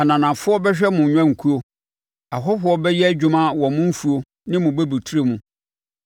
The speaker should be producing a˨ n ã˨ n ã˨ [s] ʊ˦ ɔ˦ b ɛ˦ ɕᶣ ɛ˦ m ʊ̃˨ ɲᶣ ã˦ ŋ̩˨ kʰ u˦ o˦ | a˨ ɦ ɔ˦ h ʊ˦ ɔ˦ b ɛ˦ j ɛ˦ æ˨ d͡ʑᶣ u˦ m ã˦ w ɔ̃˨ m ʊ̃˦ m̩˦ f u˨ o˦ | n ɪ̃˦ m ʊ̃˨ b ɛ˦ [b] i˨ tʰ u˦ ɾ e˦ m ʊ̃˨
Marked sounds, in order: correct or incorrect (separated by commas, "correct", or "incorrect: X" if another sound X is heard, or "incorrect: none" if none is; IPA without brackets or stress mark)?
incorrect: f, correct